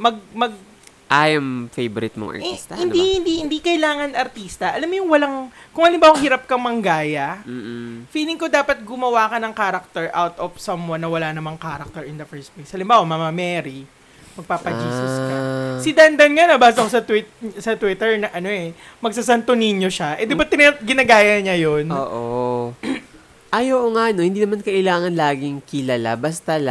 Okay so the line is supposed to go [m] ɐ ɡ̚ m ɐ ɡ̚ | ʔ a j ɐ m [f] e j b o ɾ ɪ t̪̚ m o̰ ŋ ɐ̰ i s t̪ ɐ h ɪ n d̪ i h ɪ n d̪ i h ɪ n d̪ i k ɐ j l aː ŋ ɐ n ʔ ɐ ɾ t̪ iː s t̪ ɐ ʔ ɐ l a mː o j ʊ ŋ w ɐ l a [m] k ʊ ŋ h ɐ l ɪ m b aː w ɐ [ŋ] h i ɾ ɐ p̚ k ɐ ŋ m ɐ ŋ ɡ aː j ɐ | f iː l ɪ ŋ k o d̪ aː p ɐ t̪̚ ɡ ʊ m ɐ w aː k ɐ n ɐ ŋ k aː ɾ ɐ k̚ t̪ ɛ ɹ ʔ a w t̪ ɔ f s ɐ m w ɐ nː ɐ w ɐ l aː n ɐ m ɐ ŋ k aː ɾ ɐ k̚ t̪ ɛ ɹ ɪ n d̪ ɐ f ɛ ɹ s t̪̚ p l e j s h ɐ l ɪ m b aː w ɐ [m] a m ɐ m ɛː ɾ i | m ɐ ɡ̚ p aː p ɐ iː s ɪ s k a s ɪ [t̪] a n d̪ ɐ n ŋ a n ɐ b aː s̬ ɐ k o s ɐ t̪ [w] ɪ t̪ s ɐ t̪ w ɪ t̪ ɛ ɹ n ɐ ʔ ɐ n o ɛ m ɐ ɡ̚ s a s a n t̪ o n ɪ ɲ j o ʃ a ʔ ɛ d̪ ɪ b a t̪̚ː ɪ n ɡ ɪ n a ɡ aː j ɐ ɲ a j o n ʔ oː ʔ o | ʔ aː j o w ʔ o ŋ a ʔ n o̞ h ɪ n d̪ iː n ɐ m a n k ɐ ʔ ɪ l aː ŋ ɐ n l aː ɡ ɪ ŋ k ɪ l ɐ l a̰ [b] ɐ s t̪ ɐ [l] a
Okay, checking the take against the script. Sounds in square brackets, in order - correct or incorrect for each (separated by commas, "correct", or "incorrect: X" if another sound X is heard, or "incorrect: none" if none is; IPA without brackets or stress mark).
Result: correct, correct, incorrect: ŋ, correct, correct, incorrect: d̪, correct, correct, correct